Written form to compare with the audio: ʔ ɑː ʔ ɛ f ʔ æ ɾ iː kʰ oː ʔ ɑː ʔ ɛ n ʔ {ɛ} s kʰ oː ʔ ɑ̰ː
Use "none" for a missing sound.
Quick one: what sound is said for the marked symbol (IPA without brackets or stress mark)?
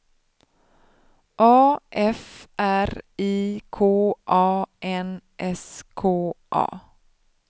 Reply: ɛ